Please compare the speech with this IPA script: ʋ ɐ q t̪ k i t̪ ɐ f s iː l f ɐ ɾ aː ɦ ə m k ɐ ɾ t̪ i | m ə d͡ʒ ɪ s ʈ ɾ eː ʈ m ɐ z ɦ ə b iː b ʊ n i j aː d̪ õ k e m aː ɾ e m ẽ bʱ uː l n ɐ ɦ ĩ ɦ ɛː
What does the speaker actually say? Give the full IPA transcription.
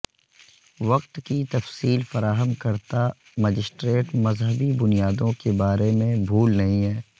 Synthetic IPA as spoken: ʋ ɐ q t̪ k i t̪ ɐ f s iː l f ɐ ɾ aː ɦ ə m k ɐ ɾ t̪ a | m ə d͡ʒ ɪ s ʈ ɾ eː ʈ m ɐ z ɦ ə b i b ʊ n i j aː d̪ õ k e b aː ɾ e m ẽ bʱ uː l n ɐ ɦ ĩ ɦ ɛː